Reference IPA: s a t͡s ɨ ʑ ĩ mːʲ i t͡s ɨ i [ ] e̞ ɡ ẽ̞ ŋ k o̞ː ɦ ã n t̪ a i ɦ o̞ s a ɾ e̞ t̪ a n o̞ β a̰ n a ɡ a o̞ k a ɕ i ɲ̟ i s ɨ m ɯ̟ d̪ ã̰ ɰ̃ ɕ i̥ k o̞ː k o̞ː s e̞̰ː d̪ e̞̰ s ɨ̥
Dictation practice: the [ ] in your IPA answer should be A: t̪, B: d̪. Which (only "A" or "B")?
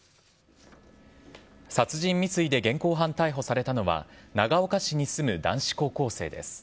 B